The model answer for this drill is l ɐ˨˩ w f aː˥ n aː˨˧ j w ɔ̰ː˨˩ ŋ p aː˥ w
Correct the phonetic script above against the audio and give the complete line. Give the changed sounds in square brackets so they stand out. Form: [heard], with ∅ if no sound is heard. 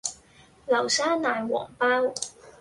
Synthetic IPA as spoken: l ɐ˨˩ w [s] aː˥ n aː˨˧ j w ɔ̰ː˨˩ ŋ p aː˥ w